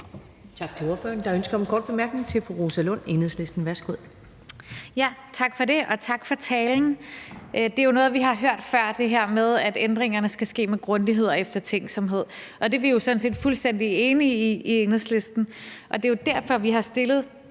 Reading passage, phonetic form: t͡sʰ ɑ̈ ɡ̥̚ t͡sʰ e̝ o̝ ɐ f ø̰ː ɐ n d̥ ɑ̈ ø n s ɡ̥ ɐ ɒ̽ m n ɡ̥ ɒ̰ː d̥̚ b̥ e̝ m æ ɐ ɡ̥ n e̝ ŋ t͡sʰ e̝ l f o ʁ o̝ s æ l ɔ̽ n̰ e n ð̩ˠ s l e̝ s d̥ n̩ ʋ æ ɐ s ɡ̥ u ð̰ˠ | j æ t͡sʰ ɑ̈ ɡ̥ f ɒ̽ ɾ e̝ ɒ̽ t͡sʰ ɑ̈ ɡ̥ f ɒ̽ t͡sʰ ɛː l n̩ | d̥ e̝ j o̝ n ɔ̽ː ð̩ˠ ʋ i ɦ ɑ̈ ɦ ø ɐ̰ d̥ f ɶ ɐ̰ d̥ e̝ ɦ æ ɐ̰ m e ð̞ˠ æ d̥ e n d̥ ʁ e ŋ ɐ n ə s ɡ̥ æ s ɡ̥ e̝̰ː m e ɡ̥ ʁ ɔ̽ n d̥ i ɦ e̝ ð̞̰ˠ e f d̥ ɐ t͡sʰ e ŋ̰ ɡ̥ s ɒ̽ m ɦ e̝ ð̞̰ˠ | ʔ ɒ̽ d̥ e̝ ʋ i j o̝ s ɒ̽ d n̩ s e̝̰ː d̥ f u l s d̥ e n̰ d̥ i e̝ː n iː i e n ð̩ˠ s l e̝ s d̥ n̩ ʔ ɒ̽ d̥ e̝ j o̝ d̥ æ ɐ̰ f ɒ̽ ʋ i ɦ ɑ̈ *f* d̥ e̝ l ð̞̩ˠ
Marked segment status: incorrect: s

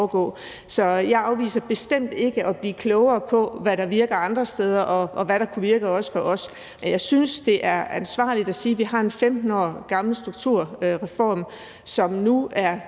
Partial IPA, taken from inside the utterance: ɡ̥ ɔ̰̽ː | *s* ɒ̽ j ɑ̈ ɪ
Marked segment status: correct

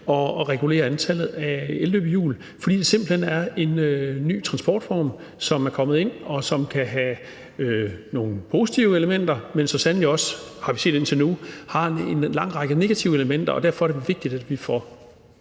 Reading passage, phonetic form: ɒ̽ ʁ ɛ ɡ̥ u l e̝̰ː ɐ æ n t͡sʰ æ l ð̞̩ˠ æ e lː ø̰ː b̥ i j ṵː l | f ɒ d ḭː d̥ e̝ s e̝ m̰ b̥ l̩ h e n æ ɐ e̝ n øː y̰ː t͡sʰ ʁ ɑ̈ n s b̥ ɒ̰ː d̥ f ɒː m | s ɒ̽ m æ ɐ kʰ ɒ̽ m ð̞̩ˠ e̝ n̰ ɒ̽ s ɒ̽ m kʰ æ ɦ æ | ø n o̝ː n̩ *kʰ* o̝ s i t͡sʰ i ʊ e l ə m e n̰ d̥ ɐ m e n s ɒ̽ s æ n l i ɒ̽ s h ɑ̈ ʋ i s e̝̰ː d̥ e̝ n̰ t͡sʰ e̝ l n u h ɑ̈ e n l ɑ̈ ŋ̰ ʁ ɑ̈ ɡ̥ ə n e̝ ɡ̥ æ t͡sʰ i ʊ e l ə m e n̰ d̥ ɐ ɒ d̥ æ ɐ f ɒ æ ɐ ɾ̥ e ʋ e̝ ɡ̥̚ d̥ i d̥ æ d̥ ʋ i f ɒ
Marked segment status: incorrect: pʰ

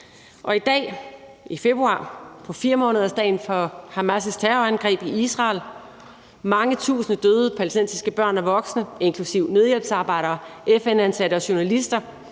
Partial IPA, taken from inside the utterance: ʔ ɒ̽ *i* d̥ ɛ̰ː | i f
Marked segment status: correct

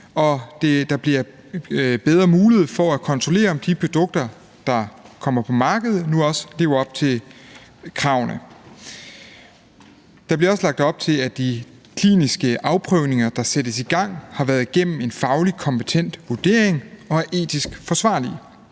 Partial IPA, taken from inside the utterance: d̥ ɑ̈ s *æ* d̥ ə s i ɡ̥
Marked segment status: incorrect: e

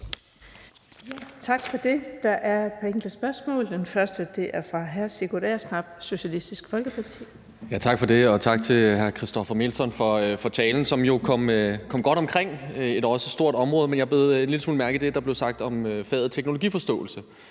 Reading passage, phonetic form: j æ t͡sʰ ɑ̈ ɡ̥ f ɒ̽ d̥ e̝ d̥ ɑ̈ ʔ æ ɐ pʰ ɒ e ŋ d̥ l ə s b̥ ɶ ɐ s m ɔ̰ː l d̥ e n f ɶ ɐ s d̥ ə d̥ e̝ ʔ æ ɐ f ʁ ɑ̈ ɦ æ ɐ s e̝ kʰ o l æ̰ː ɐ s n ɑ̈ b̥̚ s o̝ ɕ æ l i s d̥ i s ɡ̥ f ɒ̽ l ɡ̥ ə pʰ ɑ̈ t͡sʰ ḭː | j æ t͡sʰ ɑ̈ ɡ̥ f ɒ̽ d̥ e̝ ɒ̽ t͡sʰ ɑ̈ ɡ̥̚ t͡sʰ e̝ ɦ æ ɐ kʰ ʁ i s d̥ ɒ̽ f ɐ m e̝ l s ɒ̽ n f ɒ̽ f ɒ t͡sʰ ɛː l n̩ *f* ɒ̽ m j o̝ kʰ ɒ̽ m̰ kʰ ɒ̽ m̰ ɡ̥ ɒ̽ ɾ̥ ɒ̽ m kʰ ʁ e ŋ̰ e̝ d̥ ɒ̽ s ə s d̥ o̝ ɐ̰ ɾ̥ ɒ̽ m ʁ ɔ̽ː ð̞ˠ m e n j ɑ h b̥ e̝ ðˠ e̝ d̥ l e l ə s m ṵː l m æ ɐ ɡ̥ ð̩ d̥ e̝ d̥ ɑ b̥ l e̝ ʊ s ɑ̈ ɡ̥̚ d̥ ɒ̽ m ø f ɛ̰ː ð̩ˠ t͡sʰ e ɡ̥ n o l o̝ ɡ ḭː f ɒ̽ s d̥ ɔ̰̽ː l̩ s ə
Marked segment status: incorrect: s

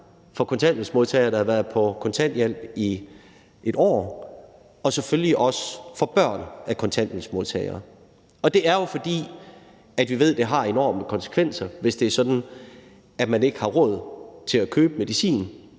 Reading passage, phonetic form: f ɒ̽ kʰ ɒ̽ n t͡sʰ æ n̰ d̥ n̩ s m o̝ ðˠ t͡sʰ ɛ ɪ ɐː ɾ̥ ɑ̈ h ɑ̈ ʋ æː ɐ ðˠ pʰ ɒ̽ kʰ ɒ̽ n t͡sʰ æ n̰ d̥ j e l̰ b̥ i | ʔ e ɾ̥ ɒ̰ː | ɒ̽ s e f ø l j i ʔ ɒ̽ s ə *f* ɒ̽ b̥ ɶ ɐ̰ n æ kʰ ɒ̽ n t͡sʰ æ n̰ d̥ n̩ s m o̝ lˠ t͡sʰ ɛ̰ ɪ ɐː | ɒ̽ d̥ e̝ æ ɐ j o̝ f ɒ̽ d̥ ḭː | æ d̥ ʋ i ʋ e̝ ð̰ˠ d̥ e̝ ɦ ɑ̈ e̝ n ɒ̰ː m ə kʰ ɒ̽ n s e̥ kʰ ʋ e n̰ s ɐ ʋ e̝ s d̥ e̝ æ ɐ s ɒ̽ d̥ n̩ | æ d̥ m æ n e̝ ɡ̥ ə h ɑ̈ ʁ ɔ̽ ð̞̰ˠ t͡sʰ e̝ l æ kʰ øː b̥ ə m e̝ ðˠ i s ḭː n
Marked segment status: correct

